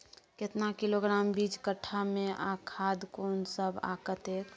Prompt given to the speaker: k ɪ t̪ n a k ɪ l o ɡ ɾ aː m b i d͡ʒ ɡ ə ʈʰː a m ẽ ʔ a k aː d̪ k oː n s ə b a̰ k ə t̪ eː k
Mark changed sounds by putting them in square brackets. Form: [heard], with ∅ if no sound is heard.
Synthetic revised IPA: k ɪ t̪ n a k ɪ l o ɡ ɾ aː m b i d͡ʒ [k] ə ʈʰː a m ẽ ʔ a [kʰ] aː d̪ k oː n s ə b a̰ k ə t̪ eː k

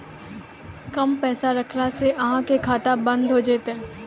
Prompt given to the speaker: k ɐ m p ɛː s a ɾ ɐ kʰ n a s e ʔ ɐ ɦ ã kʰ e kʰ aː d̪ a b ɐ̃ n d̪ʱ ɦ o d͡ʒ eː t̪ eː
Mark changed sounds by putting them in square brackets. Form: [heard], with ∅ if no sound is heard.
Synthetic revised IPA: k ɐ m p ɛː s a ɾ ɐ kʰ n a s e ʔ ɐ ɦ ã [k] e kʰ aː [t̪] a b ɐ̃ n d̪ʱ ɦ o d͡ʒ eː t̪ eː

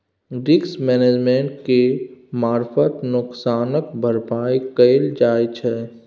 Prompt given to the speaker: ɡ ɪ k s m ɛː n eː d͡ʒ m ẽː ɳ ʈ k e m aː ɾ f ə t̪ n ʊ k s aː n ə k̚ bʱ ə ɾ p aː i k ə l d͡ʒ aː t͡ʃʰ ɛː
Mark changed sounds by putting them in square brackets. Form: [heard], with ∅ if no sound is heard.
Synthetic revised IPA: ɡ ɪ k s m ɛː n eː d͡ʒ m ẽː ɳ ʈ k e m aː ɾ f ə t̪ n ʊ k s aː n ə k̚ bʱ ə ɾ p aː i k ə l d͡ʒ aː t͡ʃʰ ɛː

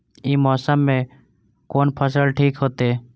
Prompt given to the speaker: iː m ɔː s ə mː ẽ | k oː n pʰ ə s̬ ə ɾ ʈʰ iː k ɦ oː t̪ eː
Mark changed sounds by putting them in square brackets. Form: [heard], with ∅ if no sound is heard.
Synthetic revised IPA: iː m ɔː s ə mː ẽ | k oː n pʰ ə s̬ ə [l] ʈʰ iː k ɦ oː t̪ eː

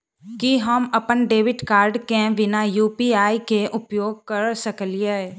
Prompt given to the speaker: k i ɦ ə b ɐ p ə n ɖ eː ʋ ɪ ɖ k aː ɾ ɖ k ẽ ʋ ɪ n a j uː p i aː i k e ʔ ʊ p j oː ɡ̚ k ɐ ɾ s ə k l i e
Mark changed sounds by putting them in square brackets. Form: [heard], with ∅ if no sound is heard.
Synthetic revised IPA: k i ɦ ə [m] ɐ p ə n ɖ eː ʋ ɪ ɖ k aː ɾ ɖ k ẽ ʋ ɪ n a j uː p i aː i k e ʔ ʊ p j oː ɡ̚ k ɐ ɾ s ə k l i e

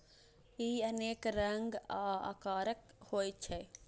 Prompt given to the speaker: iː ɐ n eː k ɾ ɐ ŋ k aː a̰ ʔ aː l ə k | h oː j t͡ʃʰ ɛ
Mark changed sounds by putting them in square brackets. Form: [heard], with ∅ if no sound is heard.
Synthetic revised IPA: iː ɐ n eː k ɾ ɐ ŋ [ɡ] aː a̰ [k] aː [ɾ] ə k | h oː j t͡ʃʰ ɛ

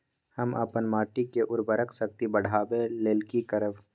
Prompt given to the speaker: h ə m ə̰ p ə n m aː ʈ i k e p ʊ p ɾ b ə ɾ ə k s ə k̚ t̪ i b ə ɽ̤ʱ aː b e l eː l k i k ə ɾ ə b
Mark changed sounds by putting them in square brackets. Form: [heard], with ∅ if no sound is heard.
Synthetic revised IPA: h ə m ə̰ p ə n m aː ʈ i k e [ʔ] ʊ [∅] ɾ b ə ɾ ə k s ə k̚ t̪ i b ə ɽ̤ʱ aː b e l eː l k i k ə ɾ ə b

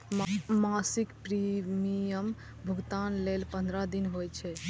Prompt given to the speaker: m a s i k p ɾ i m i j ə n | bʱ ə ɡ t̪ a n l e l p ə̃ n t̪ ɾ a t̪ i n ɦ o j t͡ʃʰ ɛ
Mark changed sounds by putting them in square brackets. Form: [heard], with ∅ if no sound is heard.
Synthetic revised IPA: m a s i k p ɾ i m i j ə [m] | bʱ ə ɡ t̪ a n l e l p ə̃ n [d̪] ɾ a [d̪] i n ɦ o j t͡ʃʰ ɛ

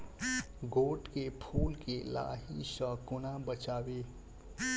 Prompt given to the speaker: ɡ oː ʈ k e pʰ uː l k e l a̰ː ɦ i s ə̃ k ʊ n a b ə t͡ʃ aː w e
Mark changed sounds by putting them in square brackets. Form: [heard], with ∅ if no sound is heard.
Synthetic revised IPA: ɡ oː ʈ k e pʰ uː l k e l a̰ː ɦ i s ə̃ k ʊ n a b ə t͡ʃ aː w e

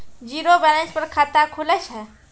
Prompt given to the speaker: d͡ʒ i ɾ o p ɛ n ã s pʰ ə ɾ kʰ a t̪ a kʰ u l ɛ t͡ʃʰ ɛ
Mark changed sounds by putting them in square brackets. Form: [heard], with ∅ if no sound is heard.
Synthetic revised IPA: d͡ʒ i ɾ o [b] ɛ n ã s [p] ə ɾ kʰ a t̪ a kʰ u l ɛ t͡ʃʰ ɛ

